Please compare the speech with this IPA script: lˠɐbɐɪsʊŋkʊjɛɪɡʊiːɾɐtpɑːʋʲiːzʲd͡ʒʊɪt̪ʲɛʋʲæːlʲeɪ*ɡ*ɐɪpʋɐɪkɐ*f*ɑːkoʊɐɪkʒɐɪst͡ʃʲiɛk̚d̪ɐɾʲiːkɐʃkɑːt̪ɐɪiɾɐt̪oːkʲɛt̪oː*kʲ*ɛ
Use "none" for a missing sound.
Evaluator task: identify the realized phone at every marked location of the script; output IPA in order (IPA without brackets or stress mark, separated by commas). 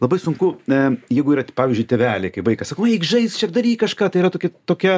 k, s, kʲ